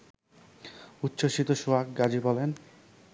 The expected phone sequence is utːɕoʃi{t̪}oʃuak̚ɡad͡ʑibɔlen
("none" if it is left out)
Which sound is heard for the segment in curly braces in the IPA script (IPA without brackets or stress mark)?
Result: t̪